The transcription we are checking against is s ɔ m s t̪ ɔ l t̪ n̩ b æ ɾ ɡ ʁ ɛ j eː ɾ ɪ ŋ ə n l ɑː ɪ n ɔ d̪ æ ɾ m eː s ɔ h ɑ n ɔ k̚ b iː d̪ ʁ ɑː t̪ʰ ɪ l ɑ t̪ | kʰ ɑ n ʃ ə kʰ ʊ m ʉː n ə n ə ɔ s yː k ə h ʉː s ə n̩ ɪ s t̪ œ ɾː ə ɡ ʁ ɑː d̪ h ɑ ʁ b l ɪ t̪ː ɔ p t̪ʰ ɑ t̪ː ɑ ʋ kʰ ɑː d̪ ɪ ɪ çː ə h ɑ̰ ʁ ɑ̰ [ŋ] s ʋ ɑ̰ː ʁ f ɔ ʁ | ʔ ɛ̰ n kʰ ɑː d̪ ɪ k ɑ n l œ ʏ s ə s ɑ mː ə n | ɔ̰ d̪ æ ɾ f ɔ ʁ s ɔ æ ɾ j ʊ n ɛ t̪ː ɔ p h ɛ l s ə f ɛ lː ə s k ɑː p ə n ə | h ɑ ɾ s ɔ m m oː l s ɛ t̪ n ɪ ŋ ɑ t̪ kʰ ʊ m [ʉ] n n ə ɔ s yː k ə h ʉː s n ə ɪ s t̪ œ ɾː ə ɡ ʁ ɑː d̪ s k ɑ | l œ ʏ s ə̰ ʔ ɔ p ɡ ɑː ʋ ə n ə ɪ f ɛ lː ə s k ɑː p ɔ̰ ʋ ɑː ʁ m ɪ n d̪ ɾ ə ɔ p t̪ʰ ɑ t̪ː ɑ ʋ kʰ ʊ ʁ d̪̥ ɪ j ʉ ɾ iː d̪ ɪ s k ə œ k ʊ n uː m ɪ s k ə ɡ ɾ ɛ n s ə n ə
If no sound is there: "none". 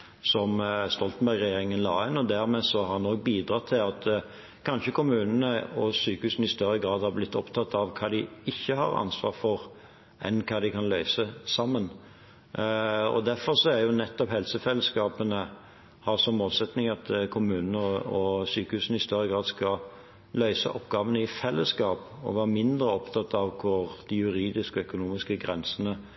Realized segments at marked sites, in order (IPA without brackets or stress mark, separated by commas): n, ʉː